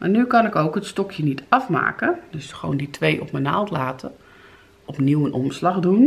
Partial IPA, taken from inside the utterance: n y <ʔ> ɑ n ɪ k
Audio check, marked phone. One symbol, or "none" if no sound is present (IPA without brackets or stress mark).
k